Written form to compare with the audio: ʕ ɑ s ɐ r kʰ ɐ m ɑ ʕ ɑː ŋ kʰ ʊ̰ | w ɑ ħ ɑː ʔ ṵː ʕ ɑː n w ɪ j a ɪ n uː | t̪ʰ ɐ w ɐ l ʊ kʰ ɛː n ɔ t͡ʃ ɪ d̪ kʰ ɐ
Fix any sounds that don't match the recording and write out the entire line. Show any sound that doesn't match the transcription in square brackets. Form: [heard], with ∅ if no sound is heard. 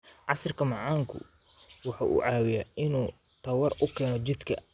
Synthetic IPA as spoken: ʕ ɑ s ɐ r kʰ ɐ m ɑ ʕ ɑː ŋ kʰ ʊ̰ | w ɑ ħ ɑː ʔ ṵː ʕ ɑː [∅] w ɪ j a ɪ n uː | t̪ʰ ɐ w ɐ [r] ʊ kʰ ɛː n ɔ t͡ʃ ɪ d̪ kʰ ɐ